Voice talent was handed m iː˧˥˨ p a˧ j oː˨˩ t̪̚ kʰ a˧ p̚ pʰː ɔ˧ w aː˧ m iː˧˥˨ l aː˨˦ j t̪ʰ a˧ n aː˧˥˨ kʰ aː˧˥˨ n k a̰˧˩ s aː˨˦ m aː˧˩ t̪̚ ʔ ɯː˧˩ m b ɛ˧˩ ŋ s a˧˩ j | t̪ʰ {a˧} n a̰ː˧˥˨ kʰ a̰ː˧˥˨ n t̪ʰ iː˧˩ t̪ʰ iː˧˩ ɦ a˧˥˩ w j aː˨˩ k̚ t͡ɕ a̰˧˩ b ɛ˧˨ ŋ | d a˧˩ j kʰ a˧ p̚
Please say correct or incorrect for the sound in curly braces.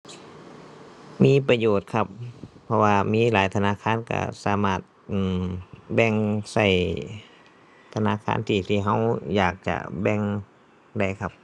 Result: correct